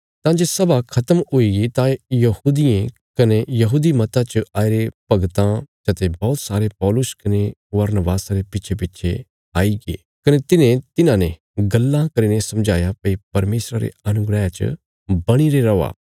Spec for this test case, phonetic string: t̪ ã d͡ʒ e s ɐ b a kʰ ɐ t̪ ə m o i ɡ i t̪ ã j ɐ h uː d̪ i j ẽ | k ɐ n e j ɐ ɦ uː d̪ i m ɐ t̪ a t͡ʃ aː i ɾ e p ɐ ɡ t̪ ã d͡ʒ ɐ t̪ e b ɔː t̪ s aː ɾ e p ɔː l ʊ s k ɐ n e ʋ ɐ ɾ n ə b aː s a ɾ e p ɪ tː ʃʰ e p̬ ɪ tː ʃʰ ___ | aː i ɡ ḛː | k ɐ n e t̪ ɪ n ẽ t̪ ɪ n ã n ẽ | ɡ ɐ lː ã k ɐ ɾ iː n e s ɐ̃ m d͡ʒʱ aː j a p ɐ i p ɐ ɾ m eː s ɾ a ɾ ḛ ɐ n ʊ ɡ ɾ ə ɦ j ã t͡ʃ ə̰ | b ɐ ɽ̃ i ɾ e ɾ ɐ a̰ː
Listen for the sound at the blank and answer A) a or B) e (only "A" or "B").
B